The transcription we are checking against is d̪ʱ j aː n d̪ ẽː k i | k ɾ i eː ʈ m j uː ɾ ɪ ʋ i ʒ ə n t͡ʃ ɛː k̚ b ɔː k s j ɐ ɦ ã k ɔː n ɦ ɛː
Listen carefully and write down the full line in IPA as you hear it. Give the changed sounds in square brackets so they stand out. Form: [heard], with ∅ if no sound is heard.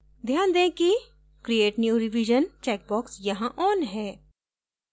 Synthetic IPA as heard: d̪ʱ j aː n d̪ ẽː k i | k ɾ i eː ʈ [n] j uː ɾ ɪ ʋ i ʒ ə n t͡ʃ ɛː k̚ b ɔː k s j ɐ ɦ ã [ʔ] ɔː n ɦ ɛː